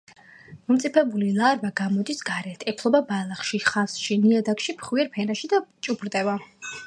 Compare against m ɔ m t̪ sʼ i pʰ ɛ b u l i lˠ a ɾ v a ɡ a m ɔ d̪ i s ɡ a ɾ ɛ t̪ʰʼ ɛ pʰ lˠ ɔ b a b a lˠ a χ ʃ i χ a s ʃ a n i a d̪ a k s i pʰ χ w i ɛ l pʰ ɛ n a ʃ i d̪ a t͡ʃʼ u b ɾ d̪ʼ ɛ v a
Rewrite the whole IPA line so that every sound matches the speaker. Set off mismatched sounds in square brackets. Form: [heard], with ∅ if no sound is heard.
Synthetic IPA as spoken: m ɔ m t̪ sʼ i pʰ ɛ b u l i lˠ a ɾ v a ɡ a m ɔ d̪ i s ɡ a ɾ ɛ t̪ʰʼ ɛ pʰ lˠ ɔ b a b a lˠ a χ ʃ i χ a s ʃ [i] n i a d̪ a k [ʃ] i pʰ χ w i ɛ [ɾ] pʰ ɛ n a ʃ i d̪ a t͡ʃʼ u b ɾ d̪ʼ ɛ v a